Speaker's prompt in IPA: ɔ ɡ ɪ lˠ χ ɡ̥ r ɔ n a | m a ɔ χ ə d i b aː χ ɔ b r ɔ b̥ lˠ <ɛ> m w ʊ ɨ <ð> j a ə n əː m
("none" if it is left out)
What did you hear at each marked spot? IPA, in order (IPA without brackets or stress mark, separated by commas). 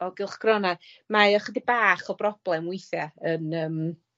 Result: ɛ, θ